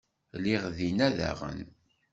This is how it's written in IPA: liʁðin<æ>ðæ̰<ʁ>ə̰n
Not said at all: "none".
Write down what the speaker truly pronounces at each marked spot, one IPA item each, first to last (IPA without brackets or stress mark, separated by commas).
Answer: æ, ʁ